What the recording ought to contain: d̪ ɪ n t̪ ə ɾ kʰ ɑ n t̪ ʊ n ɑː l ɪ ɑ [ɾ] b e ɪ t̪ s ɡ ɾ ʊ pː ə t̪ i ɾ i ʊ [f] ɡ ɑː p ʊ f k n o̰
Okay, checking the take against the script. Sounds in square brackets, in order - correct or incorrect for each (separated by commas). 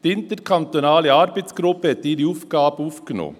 correct, correct